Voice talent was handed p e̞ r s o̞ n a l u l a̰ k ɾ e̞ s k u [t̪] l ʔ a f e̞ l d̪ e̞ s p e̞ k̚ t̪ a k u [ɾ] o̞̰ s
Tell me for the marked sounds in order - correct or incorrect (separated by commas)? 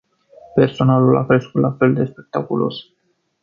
correct, incorrect